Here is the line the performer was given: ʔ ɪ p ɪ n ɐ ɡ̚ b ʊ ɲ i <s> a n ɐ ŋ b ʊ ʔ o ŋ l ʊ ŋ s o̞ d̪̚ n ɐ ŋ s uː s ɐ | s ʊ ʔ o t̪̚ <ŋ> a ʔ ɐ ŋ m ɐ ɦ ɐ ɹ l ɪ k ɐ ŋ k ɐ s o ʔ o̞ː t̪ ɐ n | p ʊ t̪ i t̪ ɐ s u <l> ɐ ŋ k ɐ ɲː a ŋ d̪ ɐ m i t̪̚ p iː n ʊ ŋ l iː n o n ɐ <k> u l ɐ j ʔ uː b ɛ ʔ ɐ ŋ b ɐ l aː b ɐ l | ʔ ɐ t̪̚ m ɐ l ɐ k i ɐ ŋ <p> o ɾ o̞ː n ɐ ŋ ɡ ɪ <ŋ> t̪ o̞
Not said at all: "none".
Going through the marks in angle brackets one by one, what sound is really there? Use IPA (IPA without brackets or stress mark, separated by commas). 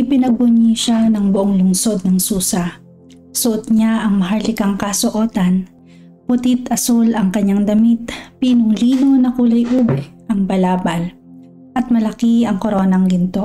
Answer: ʃ, ɲ, l, k, k, n